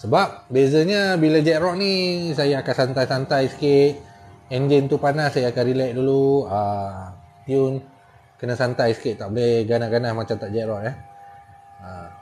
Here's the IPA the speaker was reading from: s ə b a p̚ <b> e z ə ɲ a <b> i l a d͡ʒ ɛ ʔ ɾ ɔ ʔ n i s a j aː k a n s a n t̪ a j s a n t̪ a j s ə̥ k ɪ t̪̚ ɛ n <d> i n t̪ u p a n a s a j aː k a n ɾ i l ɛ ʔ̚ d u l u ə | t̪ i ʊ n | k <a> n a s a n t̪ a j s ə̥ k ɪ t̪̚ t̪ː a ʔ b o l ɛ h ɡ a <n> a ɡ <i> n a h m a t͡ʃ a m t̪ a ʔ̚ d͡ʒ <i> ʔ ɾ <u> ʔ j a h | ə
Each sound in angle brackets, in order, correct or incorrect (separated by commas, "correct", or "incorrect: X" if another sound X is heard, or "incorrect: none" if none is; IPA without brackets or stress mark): correct, correct, incorrect: d͡ʒ, incorrect: ə, correct, incorrect: a, incorrect: ɛ, incorrect: ɔ